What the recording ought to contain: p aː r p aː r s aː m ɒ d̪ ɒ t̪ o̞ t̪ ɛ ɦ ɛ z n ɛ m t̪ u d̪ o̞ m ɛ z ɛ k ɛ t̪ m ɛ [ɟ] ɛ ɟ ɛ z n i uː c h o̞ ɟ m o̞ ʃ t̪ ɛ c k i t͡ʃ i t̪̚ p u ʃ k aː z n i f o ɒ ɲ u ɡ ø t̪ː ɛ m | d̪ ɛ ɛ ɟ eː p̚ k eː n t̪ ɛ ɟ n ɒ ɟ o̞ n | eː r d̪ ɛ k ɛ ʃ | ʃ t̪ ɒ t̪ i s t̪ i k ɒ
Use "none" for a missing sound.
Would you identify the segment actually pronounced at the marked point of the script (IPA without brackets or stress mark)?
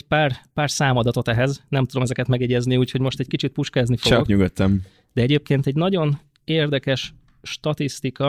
ɡ